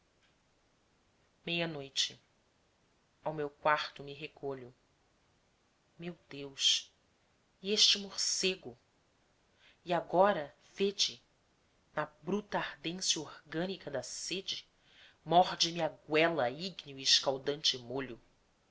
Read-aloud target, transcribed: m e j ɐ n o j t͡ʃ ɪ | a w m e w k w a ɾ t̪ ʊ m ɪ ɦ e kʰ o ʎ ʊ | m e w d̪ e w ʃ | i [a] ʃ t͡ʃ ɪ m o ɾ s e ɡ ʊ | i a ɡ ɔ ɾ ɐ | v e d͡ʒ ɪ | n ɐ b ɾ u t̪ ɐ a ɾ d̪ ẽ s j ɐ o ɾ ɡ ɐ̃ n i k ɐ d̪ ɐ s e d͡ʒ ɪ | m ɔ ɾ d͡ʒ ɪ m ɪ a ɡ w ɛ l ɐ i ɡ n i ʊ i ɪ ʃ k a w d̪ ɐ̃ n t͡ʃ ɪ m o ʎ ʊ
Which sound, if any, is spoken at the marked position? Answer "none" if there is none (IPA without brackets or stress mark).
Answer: e